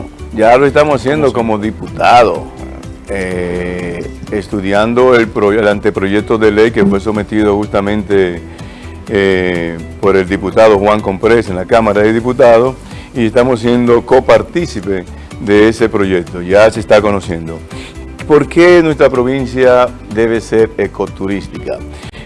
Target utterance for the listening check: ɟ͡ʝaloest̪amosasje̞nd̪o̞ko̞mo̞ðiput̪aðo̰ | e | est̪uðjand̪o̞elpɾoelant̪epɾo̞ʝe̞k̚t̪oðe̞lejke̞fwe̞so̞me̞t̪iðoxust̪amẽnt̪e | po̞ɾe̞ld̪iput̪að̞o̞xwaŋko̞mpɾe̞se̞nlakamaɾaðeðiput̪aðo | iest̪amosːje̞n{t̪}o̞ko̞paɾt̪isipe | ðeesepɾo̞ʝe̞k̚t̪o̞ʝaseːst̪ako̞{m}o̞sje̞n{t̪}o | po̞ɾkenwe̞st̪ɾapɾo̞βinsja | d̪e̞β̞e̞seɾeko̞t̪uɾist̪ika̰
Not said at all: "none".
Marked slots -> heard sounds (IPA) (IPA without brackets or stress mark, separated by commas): d̪, n, d̪